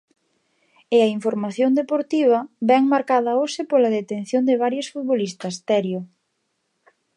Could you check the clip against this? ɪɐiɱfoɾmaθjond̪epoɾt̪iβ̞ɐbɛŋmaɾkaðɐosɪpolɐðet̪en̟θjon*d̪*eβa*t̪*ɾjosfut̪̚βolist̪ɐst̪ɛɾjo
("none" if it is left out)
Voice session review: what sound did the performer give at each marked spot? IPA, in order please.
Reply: d̪, none

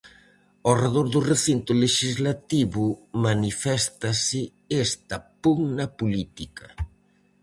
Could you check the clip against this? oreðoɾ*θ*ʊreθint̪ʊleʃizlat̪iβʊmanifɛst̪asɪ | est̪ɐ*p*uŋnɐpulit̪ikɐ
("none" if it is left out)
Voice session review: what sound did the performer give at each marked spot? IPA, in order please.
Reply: ð, p

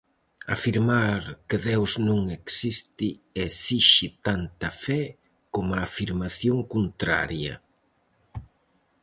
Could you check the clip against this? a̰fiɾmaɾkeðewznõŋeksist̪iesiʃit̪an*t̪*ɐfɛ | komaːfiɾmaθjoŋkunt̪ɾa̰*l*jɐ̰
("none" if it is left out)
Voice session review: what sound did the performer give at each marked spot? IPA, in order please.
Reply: t̪, ɾ

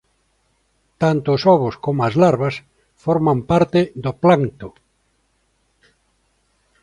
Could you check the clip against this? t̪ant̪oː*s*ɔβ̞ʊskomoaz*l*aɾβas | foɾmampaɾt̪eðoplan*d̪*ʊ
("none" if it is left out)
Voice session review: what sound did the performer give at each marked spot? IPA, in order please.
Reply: s, l, t̪

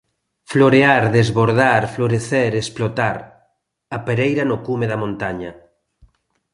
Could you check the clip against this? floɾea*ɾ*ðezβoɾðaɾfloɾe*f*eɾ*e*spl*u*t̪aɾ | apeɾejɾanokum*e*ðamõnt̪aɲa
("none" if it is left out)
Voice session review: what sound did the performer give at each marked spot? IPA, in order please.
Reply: ɾ, θ, e, o, e

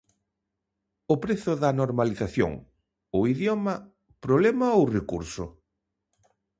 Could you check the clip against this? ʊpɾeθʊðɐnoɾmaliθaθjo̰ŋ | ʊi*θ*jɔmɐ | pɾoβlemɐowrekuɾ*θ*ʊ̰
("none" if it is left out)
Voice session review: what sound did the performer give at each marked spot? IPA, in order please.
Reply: ð, s

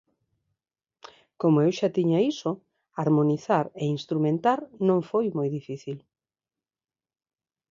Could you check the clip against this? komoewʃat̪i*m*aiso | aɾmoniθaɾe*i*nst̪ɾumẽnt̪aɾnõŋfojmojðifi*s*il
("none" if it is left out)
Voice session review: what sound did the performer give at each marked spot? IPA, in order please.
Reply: ɲ, i, θ

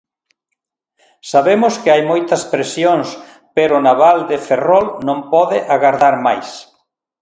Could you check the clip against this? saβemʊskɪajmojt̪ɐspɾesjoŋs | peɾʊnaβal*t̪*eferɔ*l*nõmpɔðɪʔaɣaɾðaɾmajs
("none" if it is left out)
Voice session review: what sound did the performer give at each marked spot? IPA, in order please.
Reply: d̪, l

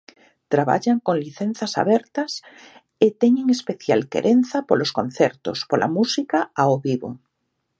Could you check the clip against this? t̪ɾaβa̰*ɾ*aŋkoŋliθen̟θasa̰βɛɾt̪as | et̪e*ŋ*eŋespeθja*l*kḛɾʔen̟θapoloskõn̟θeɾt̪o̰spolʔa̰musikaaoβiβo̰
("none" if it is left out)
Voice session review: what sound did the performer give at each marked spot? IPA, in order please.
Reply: ʎ, ɲ, l

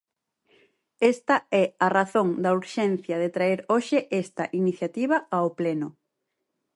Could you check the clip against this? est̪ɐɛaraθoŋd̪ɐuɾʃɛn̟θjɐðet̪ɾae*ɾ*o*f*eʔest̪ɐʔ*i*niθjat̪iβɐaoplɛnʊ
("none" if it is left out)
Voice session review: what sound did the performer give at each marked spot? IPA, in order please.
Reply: ɾ, ʃ, i

